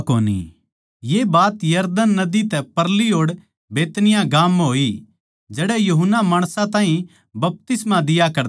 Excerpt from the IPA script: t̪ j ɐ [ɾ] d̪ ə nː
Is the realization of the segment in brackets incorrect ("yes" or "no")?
no